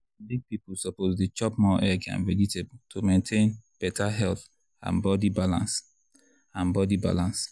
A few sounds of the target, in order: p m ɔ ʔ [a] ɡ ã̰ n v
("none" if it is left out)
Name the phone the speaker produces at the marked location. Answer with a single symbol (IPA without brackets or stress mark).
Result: ɛ